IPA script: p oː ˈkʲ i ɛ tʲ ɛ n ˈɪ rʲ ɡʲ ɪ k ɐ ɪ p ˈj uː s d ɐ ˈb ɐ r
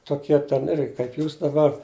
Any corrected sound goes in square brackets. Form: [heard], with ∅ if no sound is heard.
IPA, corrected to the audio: [t] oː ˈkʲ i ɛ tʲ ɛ n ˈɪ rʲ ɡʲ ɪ k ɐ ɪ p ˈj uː s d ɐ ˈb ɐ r